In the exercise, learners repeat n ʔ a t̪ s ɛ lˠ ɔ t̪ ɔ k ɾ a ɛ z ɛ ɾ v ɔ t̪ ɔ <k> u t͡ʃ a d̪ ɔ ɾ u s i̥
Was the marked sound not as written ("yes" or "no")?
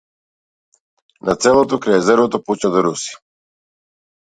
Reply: yes